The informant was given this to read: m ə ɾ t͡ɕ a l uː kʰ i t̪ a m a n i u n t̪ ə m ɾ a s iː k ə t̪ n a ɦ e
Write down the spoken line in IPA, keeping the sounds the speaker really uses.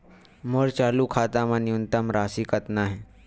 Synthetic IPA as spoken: m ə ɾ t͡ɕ a l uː kʰ a t̪ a m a n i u n t̪ ə m ɾ a s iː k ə t̪ n a ɦ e